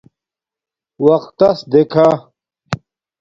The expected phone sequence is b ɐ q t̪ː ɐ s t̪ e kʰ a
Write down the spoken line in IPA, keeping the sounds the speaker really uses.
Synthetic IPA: w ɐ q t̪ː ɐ s d̪ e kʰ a